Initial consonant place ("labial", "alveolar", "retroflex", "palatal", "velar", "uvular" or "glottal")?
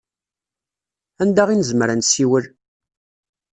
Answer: alveolar